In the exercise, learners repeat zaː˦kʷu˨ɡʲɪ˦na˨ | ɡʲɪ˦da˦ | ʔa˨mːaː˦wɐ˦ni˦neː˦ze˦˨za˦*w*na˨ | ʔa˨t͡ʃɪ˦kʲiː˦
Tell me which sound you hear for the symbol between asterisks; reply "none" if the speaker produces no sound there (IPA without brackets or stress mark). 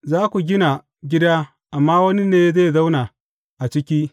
w